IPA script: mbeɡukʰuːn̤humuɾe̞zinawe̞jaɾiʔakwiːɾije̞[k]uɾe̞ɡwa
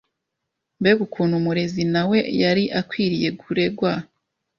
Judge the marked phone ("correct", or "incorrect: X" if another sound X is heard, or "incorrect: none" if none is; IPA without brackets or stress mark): incorrect: ɡ